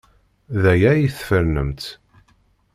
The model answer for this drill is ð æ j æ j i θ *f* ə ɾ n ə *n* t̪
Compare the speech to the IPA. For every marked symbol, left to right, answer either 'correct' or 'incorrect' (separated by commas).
correct, incorrect